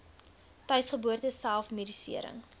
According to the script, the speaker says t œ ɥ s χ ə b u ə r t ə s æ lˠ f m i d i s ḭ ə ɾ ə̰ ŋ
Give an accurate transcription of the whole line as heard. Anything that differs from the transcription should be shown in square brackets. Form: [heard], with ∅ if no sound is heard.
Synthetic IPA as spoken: t œ ɥ s χ ə b u ə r t ə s æ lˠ f m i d i s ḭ ə ɾ ə̰ ŋ